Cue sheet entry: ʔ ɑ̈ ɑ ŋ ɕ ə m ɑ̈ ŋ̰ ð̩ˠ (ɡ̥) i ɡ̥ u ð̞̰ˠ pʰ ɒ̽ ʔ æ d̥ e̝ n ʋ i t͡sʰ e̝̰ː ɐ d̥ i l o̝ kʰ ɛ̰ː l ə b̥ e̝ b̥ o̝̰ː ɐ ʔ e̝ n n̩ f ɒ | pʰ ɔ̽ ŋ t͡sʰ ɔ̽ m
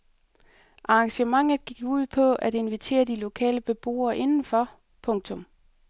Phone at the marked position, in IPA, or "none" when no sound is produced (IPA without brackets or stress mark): ɡ̥